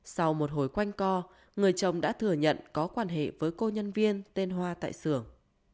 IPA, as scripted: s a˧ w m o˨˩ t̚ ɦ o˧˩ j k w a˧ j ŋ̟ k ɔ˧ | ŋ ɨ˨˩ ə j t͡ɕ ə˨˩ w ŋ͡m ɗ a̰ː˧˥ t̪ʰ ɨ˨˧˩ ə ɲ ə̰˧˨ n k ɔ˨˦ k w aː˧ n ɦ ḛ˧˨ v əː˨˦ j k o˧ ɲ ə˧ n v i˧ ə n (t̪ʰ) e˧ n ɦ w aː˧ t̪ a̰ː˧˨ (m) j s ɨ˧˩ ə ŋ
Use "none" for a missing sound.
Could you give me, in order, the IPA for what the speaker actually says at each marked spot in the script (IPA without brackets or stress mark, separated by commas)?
t̪, none